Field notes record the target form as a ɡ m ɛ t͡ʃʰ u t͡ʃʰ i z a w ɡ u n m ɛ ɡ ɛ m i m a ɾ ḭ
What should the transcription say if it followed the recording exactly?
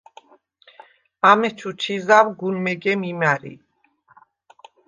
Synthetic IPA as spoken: a m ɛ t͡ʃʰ u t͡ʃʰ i z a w ɡ u n m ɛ ɡ ɛ m i m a ɾ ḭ